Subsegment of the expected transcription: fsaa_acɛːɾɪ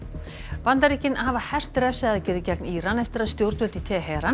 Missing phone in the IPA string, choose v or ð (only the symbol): ð